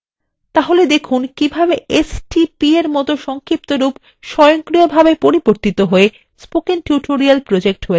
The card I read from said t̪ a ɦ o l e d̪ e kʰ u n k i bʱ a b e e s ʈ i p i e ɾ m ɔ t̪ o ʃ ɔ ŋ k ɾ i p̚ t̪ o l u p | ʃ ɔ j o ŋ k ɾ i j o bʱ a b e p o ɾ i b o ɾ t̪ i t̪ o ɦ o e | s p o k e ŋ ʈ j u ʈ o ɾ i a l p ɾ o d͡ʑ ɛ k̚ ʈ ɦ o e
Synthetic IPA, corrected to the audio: t̪ a ɦ o l e d̪ e kʰ u n k i bʱ a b e e s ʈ i p i e ɾ m ɔ t̪ o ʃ ɔ ŋ k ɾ i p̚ t̪ o ɾ u p | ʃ ɔ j o ŋ k ɾ i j o bʱ a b e p o ɾ i b o ɾ t̪ i t̪ o ɦ o e | s p o k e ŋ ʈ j u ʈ o ɾ i a l p ɾ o d͡ʑ e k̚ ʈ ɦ o e